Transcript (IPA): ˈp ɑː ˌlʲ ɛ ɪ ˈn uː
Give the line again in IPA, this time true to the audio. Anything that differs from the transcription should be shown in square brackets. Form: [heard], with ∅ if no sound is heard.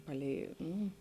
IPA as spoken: ˈp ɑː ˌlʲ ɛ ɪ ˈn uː